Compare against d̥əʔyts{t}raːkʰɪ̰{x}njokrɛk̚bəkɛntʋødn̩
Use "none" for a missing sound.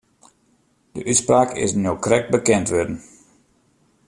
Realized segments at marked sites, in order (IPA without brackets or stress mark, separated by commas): p, s